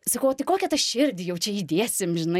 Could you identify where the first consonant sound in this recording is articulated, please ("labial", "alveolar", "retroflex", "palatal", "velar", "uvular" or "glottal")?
alveolar